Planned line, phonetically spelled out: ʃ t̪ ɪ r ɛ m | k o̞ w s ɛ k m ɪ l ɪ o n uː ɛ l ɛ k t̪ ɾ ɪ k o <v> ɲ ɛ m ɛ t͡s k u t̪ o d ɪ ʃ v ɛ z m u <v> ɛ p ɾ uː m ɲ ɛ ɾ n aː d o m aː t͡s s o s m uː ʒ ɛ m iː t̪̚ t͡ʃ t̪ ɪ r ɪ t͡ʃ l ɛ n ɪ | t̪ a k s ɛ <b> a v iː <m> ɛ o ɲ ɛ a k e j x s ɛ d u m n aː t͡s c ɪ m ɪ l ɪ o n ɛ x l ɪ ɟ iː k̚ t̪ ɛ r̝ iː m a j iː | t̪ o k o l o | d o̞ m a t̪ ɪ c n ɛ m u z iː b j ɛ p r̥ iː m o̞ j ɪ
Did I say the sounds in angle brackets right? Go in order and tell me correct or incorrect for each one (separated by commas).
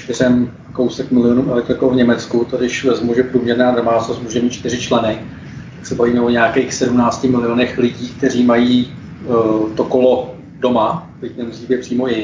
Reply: correct, incorrect, correct, correct